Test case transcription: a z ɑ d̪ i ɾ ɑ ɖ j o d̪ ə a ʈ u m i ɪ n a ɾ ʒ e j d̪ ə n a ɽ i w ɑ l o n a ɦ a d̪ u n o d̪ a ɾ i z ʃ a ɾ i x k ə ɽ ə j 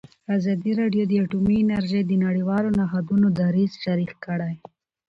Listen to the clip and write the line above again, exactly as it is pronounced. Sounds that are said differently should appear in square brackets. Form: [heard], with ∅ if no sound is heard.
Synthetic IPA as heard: a z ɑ d̪ i ɾ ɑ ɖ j o d̪ ə a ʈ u m i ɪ n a ɾ ʒ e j d̪ ə n a ɽ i w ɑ l o n a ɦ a d̪ u n o d̪ a ɾ i z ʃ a ɾ i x k ə ɽ [a] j